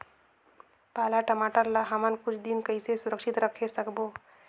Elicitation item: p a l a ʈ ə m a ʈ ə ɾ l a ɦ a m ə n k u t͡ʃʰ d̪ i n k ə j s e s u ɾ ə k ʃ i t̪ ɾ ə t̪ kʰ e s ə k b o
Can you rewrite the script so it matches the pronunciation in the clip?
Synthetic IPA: p a l a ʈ ə m a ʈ ə ɾ l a ɦ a m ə n k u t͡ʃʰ d̪ i n k ə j s e s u ɾ ə k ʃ i t̪ ɾ ə kʰ e s ə k b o